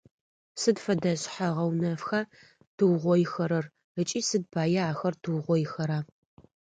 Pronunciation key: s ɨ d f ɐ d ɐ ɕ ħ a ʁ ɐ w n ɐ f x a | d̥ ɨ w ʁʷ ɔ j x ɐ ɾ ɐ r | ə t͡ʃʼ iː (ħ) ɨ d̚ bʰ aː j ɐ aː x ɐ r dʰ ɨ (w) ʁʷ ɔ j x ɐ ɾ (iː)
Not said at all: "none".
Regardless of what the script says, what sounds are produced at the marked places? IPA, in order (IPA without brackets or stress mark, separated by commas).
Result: s, w, aː